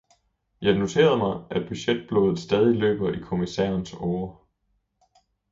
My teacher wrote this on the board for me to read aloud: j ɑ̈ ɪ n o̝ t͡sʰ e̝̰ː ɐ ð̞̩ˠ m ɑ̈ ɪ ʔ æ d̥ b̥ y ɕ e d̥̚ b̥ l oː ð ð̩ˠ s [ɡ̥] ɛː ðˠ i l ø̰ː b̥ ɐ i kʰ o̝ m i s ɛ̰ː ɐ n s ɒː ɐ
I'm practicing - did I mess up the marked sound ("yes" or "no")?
yes